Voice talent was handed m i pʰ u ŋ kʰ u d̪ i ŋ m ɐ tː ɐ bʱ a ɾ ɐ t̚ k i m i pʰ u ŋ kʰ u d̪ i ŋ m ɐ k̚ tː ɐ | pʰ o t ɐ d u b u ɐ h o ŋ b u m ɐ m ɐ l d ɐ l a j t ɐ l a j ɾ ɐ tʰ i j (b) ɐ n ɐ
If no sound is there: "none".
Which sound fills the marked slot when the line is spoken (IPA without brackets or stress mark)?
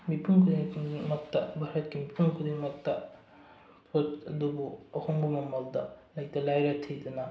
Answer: d